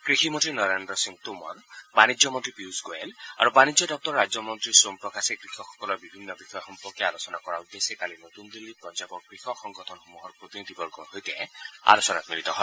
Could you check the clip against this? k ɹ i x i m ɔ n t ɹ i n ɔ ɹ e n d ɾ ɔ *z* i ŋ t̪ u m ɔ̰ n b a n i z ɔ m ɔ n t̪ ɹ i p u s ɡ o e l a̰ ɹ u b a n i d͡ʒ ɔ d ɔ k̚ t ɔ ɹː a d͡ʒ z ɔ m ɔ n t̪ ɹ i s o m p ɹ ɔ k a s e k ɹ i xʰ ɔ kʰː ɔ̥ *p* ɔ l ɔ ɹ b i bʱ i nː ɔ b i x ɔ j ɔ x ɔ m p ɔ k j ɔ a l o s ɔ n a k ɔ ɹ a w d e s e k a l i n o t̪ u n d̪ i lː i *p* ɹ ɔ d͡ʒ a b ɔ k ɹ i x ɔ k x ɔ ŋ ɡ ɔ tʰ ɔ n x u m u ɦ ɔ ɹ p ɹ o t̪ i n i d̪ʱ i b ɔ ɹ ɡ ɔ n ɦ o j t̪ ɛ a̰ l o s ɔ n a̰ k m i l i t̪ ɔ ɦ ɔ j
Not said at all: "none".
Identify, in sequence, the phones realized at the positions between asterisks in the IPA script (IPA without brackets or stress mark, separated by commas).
s, k, p